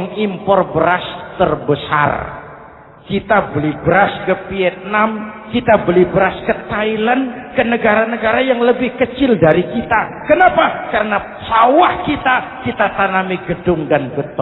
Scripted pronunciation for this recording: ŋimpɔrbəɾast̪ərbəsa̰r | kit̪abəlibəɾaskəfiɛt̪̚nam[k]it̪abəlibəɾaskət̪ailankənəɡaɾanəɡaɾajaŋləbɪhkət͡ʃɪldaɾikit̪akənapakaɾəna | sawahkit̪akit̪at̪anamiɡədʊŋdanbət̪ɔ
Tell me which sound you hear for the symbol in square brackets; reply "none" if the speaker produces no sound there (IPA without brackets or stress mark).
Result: k